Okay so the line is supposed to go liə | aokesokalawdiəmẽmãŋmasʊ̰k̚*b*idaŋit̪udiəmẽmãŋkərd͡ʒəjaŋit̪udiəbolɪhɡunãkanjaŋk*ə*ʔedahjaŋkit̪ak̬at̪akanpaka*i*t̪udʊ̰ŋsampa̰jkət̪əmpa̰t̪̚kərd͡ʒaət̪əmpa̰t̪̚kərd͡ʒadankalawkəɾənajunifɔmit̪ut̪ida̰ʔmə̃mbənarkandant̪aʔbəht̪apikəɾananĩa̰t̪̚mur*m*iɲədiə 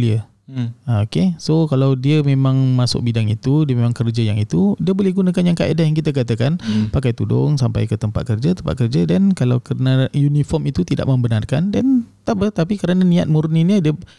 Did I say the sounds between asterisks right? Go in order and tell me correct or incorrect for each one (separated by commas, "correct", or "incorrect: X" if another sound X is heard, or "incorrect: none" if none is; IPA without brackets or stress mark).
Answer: correct, incorrect: a, incorrect: j, incorrect: n